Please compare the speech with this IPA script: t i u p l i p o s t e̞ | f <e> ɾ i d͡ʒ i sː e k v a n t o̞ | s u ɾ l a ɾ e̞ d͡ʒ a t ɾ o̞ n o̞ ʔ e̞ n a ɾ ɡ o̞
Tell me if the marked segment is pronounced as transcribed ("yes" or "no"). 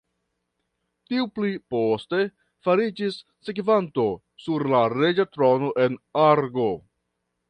no